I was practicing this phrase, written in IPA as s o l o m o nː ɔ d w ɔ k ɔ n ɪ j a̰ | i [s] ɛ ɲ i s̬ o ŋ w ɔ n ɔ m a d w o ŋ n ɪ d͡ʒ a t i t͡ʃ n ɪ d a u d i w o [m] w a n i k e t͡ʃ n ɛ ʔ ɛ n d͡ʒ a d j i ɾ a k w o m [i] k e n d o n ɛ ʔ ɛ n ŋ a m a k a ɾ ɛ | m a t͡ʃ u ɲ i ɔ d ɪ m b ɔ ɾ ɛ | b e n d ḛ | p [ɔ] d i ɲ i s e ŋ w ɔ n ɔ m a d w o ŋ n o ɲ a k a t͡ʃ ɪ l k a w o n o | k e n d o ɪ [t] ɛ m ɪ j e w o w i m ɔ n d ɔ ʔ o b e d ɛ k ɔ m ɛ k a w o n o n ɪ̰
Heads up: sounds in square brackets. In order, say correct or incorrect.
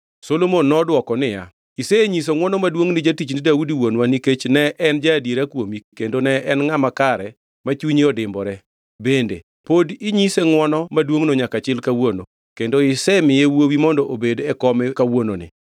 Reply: correct, incorrect, correct, incorrect, incorrect

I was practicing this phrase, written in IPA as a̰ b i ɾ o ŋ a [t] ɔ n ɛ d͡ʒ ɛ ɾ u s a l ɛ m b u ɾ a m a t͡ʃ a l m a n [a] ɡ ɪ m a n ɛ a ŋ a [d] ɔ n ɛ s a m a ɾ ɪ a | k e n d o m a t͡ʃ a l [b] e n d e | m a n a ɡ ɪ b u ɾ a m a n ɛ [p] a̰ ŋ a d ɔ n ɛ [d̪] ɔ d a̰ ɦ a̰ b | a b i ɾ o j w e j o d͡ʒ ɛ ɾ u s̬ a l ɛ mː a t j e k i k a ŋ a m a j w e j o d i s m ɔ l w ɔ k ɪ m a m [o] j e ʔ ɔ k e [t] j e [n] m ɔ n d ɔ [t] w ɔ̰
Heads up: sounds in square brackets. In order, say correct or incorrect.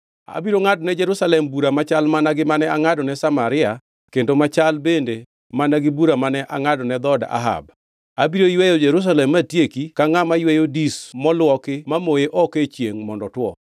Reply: incorrect, correct, correct, correct, incorrect, correct, correct, incorrect, incorrect, correct

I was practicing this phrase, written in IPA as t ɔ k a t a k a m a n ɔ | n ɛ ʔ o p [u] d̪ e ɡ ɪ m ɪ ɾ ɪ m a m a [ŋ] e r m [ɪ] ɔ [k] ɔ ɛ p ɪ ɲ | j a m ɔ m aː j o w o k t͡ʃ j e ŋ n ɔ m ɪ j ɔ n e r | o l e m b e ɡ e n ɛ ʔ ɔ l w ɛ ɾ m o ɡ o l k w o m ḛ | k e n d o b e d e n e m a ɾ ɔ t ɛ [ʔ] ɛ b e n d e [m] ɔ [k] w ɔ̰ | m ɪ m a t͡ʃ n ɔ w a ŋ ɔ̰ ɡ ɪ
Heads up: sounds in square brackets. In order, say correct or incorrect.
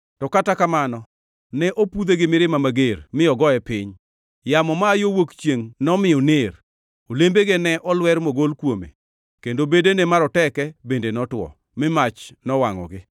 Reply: correct, incorrect, correct, incorrect, incorrect, incorrect, incorrect

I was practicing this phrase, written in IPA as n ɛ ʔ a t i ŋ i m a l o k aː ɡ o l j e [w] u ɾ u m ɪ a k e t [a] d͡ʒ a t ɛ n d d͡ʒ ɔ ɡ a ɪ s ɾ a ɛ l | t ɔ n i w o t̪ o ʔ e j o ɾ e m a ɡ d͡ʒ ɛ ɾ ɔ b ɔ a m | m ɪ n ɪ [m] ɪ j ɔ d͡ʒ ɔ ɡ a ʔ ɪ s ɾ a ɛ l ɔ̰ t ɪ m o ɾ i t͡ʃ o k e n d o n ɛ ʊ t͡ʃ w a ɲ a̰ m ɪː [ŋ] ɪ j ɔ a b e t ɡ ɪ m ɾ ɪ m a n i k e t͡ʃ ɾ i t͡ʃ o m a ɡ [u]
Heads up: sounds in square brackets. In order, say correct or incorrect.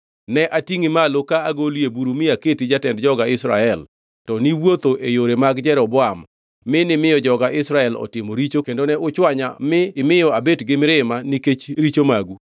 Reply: incorrect, incorrect, correct, incorrect, correct

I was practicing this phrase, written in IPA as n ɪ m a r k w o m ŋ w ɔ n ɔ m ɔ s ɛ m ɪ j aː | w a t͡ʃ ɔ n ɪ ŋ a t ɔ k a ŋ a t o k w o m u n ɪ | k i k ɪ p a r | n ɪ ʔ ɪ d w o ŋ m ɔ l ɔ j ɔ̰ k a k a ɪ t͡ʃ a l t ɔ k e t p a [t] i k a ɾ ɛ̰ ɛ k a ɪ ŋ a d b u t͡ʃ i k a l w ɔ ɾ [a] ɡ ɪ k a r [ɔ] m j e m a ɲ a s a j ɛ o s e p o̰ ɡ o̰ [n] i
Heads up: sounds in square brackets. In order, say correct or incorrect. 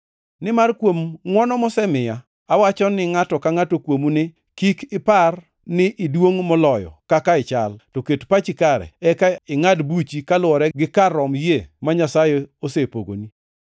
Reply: incorrect, incorrect, correct, correct

